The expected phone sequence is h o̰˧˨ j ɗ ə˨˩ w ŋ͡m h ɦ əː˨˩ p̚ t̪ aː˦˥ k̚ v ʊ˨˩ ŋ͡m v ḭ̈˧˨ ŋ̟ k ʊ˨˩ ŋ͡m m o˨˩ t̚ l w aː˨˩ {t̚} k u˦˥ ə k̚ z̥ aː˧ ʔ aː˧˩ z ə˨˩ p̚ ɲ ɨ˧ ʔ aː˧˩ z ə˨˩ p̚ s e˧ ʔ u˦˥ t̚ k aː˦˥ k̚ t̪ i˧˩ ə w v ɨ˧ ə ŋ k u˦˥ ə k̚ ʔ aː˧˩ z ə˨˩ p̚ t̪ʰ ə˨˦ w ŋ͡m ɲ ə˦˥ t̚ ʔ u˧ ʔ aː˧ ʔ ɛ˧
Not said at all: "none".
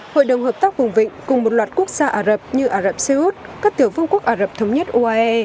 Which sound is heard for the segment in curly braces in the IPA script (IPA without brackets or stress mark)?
t̚